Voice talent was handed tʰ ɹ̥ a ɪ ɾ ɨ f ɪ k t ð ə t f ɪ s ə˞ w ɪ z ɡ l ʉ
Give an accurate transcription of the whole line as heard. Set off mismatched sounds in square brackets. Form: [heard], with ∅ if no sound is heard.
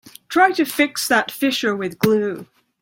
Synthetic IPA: tʰ ɹ̥ a ɪ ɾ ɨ f ɪ k [s] ð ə t f ɪ [ʃ] ə˞ w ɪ [ð] ɡ l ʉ